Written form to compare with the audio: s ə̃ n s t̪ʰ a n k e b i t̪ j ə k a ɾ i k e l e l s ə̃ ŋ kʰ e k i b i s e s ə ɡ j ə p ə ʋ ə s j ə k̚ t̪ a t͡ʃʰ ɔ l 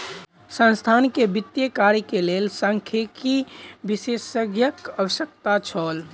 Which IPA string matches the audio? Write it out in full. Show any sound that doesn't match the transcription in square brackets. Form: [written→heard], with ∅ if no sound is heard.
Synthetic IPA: s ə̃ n s t̪ʰ a n k e b i t̪ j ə k a ɾ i k e l e l s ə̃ ŋ kʰ e k i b i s e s ə ɡ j ə [p→k] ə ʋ ə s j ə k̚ t̪ a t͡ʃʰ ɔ l